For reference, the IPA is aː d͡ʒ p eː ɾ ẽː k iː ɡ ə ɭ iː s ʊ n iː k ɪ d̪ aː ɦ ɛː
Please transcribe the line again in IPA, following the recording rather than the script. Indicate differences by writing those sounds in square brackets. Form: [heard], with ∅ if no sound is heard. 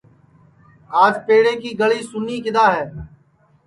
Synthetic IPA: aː d͡ʒ p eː [ɽ] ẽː k iː ɡ ə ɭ iː s ʊ n iː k ɪ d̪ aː ɦ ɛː